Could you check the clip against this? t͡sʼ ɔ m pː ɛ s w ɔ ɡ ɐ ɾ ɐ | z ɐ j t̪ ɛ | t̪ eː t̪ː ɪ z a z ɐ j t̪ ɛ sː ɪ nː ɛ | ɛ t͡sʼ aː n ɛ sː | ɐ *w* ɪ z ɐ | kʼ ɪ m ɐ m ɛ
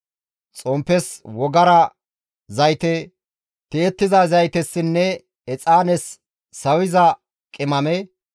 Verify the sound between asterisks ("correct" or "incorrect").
correct